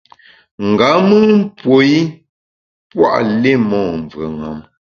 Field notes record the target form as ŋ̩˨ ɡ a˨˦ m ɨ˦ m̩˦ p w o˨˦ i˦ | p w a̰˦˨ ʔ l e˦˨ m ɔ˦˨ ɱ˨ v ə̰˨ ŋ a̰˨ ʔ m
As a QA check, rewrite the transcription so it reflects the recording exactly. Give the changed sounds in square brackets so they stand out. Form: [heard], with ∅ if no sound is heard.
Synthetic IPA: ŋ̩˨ ɡ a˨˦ m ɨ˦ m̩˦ p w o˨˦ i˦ | p w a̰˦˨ ʔ l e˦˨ m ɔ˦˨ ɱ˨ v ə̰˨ ŋ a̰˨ [∅] m